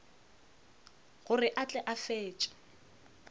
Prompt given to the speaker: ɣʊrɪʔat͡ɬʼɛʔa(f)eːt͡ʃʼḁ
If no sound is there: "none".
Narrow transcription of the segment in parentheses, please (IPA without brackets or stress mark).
f